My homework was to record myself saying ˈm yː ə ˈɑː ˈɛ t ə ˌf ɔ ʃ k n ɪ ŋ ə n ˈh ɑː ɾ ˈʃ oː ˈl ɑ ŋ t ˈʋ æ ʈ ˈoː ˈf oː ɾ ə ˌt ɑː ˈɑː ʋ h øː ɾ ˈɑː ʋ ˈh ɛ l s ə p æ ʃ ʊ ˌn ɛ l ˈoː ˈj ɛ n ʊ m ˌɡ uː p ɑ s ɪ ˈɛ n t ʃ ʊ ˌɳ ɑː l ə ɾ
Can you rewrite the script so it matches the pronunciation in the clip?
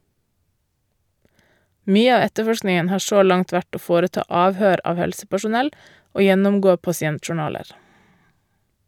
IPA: ˈm yː ə ˈɑː ˈɛ t ə ˌf ɔ ʃ k n ɪ ŋ ə n ˈh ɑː ɾ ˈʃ oː ˈl ɑ ŋ t ˈʋ æ ʈ ˈoː ˈf oː ɾ ə ˌt ɑː ˈɑː ʋ h øː ɾ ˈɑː ʋ ˈh ɛ l s ə p æ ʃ ʊ ˌn ɛ l ˈoː ˈj ɛ n ʊ m ˌɡ oː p ɑ s ɪ ˈɛ n t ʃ ʊ ˌɳ ɑː l ə ɾ